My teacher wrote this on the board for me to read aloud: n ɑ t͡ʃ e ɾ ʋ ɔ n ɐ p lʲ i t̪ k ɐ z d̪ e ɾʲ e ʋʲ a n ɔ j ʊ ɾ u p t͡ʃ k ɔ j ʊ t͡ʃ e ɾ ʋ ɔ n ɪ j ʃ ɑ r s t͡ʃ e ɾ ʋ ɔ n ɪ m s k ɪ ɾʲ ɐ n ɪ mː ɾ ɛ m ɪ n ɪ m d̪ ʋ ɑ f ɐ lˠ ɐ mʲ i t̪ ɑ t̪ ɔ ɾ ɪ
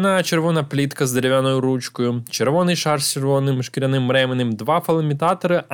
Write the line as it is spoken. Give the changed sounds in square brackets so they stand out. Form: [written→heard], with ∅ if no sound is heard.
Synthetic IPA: n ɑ t͡ʃ e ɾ ʋ ɔ n ɐ p lʲ i t̪ k ɐ z d̪ e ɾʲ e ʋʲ a n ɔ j ʊ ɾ u [p→∅] t͡ʃ k ɔ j ʊ t͡ʃ e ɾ ʋ ɔ n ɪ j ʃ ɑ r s t͡ʃ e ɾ ʋ ɔ n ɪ m [s→ʃ] k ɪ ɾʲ ɐ n ɪ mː ɾ ɛ m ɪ n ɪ m d̪ ʋ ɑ f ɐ lˠ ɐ mʲ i t̪ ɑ t̪ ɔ ɾ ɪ